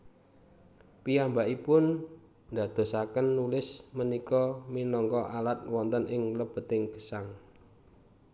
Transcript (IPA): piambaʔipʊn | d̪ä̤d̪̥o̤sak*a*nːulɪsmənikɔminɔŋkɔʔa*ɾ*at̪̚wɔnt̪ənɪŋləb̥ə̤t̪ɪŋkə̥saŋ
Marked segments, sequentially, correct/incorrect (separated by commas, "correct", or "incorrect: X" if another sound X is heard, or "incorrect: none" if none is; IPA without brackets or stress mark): incorrect: ə, incorrect: l